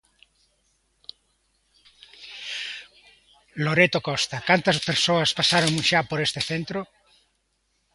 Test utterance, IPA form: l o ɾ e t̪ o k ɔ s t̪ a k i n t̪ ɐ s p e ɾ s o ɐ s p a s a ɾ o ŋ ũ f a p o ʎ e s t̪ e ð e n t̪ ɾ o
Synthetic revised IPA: l o ɾ e t̪ o k ɔ s t̪ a k a n t̪ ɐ s p e ɾ s o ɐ s p a s a ɾ o ŋ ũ ʃ a p o ɾ e s t̪ e θ e n t̪ ɾ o